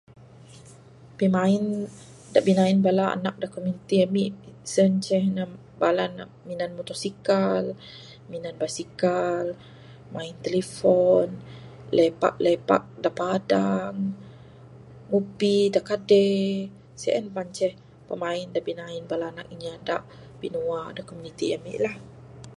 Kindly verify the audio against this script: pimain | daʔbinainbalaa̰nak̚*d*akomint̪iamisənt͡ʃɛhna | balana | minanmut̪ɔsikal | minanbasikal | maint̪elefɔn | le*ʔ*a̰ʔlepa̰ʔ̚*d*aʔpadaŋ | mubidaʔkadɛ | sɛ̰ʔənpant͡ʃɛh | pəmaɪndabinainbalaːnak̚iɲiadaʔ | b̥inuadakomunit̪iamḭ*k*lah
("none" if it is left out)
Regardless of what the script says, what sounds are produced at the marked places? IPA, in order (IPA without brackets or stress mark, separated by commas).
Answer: d, p, d, ʔ